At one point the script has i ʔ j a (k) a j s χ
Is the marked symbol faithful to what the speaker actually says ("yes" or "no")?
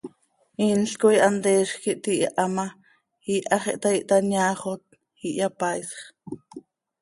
no